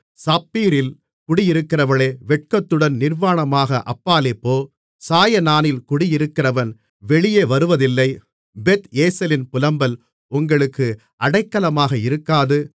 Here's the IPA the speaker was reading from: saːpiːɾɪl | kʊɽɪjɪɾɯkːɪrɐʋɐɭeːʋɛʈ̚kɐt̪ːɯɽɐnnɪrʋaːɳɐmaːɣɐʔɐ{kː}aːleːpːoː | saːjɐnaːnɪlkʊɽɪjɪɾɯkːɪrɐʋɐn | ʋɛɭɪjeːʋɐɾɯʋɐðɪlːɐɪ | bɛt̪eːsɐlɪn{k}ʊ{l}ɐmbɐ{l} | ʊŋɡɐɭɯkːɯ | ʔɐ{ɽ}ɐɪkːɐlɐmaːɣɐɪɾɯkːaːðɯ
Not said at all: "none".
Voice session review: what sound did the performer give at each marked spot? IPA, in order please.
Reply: pː, p, l, l, ɽ

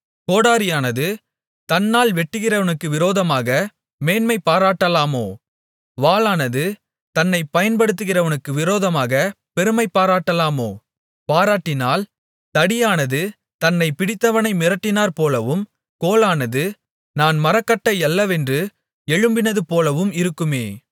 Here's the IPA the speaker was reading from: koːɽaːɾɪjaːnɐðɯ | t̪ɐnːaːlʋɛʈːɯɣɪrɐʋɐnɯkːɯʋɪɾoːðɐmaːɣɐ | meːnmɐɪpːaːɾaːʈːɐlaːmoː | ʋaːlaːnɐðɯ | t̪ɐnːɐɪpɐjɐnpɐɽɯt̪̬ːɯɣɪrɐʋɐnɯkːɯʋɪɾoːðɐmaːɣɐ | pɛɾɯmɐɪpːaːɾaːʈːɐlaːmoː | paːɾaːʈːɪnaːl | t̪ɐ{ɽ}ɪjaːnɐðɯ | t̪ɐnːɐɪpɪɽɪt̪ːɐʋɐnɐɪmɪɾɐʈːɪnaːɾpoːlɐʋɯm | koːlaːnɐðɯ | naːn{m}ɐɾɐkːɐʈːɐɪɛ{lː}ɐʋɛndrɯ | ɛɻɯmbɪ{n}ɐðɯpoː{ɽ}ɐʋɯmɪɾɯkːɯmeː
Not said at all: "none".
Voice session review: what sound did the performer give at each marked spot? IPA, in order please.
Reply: ɽ, m, lː, n, l

